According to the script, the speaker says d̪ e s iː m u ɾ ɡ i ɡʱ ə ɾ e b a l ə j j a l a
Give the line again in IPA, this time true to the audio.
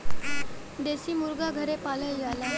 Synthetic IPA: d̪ e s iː m u ɾ ɡ a ɡʱ ə ɾ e p a l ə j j a l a